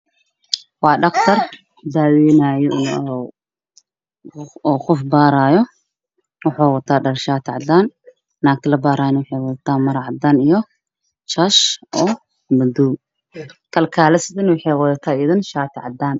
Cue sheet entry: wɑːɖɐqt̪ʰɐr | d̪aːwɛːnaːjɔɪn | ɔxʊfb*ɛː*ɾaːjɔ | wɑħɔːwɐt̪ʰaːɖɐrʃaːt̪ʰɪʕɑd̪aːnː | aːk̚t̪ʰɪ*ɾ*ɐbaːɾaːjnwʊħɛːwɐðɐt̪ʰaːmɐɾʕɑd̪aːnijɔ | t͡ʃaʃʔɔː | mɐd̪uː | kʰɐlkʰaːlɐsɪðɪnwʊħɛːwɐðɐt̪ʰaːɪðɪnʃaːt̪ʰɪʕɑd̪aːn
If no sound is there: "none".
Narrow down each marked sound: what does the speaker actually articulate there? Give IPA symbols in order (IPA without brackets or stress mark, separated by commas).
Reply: aː, l